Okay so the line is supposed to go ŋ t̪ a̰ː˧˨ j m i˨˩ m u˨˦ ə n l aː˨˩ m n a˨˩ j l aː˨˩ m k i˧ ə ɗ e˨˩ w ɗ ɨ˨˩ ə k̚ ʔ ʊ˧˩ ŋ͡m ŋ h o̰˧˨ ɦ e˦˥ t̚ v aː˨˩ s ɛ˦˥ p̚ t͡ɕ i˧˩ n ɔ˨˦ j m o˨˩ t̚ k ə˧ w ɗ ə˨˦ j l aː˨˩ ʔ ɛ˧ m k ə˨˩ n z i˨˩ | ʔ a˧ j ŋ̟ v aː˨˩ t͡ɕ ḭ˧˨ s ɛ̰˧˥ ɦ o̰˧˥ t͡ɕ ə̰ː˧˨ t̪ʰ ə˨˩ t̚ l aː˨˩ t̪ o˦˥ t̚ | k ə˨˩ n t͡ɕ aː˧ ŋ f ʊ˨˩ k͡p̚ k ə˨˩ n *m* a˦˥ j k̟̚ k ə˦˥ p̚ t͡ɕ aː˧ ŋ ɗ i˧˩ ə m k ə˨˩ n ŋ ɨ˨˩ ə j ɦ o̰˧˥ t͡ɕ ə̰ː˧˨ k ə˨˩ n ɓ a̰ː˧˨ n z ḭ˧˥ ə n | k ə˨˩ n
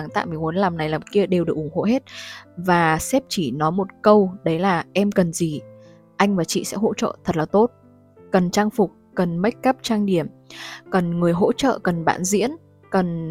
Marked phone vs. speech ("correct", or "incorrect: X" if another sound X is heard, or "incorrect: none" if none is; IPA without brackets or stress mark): correct